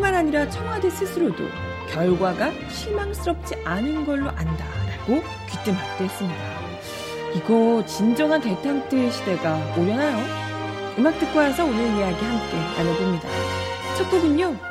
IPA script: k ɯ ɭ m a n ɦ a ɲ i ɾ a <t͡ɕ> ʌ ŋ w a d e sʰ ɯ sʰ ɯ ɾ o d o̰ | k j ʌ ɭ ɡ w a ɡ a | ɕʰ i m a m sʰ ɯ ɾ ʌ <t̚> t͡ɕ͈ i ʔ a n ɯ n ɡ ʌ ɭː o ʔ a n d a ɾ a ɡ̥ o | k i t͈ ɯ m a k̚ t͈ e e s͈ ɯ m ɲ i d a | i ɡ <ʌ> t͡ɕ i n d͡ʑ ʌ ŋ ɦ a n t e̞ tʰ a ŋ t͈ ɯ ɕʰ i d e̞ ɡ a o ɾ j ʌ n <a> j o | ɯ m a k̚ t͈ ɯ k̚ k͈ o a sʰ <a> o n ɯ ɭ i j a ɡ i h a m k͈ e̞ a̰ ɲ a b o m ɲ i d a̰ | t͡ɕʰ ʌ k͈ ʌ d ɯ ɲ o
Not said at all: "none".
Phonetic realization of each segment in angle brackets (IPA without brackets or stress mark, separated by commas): t͡ɕʰ, p̚, ʌ, a, ʌ